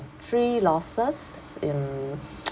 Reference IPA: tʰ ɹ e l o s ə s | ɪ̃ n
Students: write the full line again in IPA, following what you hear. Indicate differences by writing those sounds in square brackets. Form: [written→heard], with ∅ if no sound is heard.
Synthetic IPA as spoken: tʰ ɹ [e→i] l [o→ɔ] s ə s | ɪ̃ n